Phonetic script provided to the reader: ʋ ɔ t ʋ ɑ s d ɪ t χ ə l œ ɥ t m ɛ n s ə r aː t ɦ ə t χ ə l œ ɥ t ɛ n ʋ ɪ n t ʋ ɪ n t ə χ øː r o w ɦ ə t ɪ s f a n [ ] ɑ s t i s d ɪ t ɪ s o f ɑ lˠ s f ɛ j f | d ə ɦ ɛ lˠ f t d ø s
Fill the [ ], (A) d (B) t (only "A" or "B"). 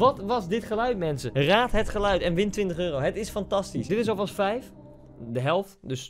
B